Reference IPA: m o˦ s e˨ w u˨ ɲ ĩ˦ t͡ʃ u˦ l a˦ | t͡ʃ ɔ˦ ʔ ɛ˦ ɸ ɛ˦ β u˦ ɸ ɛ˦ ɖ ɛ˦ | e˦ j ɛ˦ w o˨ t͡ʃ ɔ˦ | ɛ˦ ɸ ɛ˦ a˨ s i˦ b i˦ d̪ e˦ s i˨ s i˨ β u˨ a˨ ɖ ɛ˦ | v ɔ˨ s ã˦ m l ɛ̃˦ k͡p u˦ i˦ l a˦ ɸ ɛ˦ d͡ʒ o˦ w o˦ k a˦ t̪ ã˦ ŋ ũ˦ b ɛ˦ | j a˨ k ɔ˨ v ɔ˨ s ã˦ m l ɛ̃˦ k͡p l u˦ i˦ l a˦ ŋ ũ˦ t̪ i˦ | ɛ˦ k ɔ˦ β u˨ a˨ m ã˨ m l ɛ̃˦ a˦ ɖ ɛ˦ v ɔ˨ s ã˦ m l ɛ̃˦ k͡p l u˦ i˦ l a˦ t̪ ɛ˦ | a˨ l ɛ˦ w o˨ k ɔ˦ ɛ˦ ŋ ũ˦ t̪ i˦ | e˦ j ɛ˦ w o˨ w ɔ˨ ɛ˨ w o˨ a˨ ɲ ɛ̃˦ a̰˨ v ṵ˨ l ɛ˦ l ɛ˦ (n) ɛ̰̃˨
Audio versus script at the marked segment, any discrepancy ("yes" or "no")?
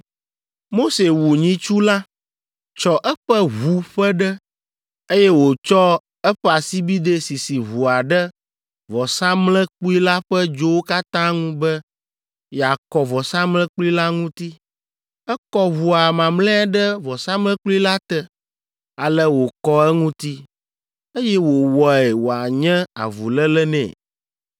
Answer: no